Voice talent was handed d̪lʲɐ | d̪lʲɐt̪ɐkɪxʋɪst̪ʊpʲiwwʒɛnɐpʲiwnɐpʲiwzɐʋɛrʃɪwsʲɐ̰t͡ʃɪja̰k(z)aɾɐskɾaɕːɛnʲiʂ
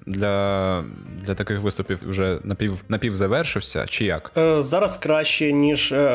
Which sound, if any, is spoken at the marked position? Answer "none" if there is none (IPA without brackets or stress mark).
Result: z